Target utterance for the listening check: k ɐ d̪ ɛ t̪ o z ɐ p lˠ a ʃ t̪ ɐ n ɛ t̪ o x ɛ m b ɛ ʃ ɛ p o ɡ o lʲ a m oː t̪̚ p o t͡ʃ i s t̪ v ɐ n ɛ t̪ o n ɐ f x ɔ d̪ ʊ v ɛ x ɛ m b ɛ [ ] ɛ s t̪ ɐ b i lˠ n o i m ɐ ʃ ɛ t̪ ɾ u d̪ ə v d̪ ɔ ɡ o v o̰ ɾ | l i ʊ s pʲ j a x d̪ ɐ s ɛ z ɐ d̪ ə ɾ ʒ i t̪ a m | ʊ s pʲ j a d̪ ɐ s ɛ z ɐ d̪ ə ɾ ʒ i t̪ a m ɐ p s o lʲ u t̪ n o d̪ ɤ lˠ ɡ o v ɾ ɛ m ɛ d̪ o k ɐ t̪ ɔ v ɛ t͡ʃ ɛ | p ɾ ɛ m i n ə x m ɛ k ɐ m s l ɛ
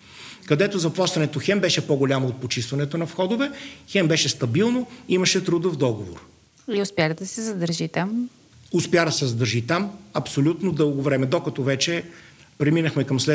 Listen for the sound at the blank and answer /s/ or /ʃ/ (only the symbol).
ʃ